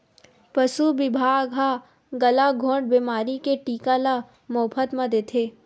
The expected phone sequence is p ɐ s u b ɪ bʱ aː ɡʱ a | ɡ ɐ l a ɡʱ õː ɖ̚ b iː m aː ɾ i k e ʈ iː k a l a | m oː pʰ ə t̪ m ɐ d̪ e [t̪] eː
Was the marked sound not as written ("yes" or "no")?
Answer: yes